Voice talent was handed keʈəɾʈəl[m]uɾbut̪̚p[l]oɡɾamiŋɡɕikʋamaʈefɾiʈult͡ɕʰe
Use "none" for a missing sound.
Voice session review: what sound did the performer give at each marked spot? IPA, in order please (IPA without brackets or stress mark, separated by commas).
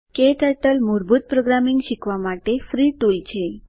m, ɾ